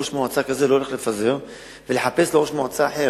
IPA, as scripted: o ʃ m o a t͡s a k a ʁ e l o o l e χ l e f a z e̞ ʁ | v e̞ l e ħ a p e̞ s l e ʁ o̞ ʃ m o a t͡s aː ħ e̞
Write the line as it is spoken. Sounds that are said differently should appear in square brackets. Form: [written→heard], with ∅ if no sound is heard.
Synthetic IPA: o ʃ m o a t͡s a k a [ʁ→z] e l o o l e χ l e f a z e̞ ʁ | v e̞ l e ħ a p e̞ s l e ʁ o̞ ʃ m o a t͡s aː ħ e̞

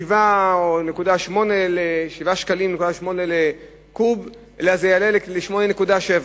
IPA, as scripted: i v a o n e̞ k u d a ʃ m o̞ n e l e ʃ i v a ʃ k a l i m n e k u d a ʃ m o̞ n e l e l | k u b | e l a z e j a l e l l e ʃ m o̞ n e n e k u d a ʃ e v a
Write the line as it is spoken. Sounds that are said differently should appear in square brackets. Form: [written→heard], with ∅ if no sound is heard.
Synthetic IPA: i v a o n e̞ k u d a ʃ m o̞ n e l e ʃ i v a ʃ k a l i m n e k u d a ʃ m o̞ n e l e [l→∅] | k u b | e l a z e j a l e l l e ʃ m o̞ n e n e k u d a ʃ e v a

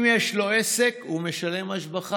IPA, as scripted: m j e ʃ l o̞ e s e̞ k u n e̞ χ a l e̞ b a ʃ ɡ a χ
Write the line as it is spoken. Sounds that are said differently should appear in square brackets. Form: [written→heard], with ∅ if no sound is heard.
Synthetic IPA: m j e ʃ l o̞ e s e̞ k u [n→m] e̞ [χ→ʃ] a l e̞ [b→m] a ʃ [ɡ→b] a χ

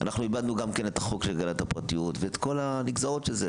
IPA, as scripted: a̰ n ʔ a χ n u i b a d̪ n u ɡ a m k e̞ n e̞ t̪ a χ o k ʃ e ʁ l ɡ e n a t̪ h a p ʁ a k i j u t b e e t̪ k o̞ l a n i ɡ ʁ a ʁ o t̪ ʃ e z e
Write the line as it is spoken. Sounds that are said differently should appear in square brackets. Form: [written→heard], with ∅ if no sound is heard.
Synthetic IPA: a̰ n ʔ a χ n u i b a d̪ n u ɡ a m k e̞ n e̞ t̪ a χ o k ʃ e [ʁ→∅] l ɡ [e→a] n a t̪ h a p ʁ a [k→t] i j u t [b→v] e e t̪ k o̞ l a n i ɡ [ʁ→z] a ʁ o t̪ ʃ e z e

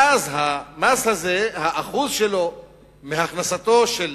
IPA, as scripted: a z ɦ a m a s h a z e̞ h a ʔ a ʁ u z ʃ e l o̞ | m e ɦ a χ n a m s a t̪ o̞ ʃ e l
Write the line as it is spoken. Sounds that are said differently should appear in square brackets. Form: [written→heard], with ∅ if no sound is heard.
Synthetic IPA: a z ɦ a m a s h a z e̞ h a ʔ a [ʁ→χ] u z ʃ e l o̞ | m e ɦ a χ n a [m→∅] s a t̪ o̞ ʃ e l

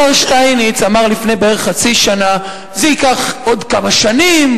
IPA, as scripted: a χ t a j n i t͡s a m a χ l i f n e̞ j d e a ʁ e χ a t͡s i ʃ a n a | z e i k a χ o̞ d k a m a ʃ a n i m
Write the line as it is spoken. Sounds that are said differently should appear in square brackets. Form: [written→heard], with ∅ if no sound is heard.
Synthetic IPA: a [χ→ʃ] t a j n i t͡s a m a [χ→ʁ] l i f n e̞ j [d→b] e [a→e] ʁ e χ a t͡s i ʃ a n a | z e i k a χ o̞ d k a m a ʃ a n i m

